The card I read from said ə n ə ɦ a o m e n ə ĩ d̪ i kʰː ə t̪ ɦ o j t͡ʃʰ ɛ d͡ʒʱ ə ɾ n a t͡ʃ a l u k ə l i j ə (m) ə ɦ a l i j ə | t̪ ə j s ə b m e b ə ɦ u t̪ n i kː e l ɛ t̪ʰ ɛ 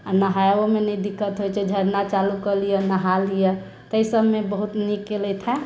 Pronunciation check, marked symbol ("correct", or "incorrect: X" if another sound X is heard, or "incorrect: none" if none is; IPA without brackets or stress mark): incorrect: n